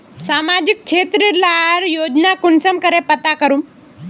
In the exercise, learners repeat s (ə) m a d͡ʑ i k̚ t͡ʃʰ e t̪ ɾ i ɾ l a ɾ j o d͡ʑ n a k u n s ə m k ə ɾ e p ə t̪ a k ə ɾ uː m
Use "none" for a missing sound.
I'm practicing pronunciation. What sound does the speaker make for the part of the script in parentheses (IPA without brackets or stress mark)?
a